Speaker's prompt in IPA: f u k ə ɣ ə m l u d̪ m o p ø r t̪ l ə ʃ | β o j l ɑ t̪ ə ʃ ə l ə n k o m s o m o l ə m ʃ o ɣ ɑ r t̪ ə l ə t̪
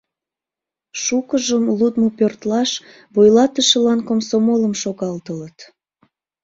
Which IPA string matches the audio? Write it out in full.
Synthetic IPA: ʃ u k ə ʒ ə m l u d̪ m o p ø r t̪ l ɑ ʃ | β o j l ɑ t̪ ə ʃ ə l ɑ n k o m s o m o l ə m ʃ o ɣ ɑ l t̪ ə l ə t̪

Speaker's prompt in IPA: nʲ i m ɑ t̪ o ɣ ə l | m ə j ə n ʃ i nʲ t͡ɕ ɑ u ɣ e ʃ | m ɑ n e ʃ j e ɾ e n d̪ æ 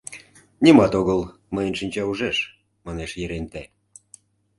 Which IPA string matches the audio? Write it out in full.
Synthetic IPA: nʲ i m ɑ t̪ o ɣ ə l | m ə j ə n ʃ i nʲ t͡ɕ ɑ u ʒ e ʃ | m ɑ n e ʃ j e ɾ e n t̪ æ

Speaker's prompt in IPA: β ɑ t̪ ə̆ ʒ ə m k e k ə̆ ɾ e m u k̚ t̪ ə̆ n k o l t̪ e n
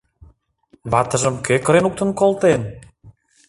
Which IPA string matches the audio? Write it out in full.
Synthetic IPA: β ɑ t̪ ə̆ ʒ ə m k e k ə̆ ɾ e n u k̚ t̪ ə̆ n k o l t̪ e n

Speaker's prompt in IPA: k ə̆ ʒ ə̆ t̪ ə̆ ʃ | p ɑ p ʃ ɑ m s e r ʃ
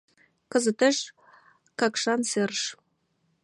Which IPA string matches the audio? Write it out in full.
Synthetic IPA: k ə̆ z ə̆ t̪ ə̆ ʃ | k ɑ k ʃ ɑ n s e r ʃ

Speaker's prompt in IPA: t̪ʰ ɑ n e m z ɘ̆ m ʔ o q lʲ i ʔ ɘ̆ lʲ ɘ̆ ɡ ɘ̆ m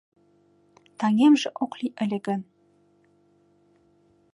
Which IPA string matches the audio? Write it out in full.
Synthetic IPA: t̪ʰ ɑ ŋ e m ʒ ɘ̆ ʔ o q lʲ i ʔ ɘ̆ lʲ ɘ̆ ɡ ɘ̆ n

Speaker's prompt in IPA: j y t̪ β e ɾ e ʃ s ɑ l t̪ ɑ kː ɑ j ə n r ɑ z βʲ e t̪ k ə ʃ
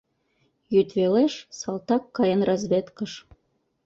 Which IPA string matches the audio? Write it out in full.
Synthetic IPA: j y t̪ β e l e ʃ s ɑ l t̪ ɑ kː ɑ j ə n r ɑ z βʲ e t̪ k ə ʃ

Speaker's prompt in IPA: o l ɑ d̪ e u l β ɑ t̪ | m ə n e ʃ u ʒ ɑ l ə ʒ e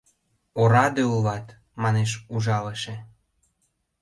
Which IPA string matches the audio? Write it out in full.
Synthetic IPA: o ɾ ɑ d̪ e u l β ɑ t̪ | m ɑ n e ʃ u ʒ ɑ l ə ʃ e

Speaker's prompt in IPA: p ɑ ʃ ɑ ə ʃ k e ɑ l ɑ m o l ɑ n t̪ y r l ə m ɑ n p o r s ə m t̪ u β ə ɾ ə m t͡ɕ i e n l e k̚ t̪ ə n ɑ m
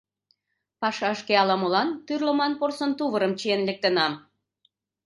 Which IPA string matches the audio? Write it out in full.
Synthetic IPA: p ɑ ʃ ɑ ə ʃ k e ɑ l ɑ m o l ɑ n t̪ y r l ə m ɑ n p o r s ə n t̪ u β ə ɾ ə m t͡ɕ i e n l e k̚ t̪ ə n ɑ m

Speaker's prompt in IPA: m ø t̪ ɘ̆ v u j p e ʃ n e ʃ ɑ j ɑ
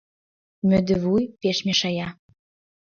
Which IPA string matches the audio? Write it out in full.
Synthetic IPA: m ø d̪ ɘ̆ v u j p e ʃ m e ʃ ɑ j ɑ

